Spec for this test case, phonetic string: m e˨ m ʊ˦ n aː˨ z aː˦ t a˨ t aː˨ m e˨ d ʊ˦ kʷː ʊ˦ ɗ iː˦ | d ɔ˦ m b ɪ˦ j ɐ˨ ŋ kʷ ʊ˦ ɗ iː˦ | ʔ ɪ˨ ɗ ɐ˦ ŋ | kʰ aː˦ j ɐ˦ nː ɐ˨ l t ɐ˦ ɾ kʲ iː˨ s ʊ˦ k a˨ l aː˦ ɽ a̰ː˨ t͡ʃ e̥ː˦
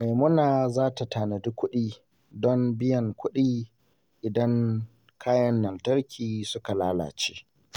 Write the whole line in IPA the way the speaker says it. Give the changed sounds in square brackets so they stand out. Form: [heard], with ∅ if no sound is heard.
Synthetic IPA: m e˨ m ʊ˦ n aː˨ z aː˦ t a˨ t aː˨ [n] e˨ d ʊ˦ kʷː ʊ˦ ɗ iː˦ | d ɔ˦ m b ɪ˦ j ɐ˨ ŋ kʷ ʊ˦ ɗ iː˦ | ʔ ɪ˨ [d] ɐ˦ ŋ | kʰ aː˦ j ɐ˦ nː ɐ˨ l t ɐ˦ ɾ kʲ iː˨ s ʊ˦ k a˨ l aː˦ [l] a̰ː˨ t͡ʃ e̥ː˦

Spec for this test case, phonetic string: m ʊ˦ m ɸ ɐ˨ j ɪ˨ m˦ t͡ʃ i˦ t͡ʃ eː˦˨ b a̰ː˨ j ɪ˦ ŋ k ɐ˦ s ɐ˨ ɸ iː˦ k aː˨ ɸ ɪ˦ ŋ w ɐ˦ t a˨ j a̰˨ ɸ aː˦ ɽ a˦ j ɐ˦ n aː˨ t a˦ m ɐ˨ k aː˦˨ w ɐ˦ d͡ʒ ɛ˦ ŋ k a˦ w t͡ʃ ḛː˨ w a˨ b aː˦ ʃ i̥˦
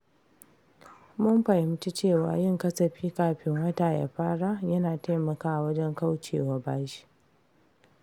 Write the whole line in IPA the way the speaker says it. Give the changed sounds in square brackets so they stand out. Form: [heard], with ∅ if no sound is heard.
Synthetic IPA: m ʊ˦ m ɸ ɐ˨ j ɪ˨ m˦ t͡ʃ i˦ t͡ʃ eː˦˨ [w] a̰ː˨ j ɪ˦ ŋ k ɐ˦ s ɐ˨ ɸ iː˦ k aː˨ ɸ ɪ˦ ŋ w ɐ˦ t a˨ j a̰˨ ɸ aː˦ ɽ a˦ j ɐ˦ n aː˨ t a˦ m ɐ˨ k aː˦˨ w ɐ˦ d͡ʒ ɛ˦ ŋ k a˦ w t͡ʃ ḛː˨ w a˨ b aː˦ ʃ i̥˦

